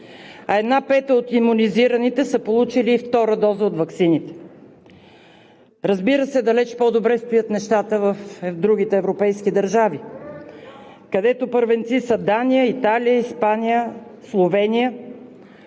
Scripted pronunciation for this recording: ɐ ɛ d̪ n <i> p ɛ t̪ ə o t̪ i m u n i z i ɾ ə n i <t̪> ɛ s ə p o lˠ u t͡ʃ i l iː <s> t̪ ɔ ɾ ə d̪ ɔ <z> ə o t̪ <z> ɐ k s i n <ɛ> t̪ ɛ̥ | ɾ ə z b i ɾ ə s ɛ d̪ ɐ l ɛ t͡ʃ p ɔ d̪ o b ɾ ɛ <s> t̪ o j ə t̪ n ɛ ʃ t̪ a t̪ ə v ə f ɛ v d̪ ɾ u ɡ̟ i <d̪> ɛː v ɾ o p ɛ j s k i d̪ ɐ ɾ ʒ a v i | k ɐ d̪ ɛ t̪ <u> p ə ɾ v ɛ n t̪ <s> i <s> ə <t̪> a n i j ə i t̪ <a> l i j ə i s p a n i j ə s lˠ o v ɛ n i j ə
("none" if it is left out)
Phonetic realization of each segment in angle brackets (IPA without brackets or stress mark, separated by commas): a, t̪, f, z, v, i, s, t̪, o, s, s, d̪, a